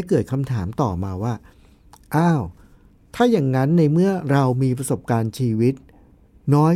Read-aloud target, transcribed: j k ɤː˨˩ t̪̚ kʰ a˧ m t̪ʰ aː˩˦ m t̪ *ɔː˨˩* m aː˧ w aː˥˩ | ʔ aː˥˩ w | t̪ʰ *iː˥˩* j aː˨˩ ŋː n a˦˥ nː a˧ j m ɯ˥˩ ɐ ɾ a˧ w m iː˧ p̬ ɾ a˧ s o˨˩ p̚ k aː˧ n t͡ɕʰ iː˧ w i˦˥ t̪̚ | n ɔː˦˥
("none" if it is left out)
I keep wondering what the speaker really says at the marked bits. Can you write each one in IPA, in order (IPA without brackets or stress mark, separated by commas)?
ɔː˨˩, aː˥˩